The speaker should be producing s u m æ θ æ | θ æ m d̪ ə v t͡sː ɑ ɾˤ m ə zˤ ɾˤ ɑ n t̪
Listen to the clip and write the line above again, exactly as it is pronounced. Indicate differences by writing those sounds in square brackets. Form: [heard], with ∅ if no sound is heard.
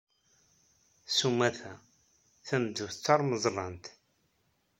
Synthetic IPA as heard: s u m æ θ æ | θ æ m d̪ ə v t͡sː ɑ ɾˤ m ə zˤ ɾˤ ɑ n t̪